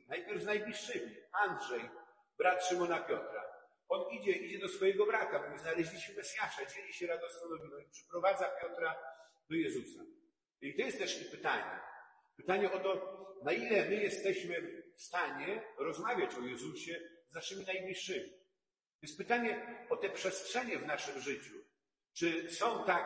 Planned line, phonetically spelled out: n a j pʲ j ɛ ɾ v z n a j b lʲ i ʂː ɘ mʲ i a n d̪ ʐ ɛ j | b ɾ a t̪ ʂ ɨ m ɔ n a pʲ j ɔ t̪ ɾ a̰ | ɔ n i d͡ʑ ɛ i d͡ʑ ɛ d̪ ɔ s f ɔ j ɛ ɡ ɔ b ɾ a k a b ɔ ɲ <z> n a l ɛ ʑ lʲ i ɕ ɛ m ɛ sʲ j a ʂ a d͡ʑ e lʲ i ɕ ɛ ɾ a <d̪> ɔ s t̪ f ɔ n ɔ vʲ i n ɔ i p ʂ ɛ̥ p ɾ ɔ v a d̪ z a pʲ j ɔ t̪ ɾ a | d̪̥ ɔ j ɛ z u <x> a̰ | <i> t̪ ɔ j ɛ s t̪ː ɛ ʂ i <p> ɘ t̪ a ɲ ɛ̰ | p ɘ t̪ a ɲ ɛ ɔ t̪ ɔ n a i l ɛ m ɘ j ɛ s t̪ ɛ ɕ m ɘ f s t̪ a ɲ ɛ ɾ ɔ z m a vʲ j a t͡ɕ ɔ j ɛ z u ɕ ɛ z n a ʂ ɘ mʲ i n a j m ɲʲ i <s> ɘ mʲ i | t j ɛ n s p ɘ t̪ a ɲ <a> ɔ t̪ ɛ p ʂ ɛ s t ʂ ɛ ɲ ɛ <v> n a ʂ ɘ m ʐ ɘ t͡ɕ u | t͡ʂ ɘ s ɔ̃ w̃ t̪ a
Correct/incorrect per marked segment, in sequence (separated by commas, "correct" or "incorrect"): correct, correct, incorrect, correct, correct, incorrect, incorrect, correct